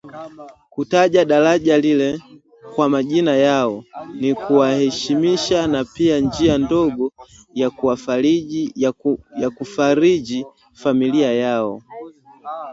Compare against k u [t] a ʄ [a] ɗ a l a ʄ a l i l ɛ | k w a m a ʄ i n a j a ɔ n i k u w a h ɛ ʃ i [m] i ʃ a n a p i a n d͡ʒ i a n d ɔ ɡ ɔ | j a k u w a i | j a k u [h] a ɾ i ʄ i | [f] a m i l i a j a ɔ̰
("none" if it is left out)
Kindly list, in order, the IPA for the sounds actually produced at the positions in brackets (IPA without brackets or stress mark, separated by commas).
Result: t, a, m, f, f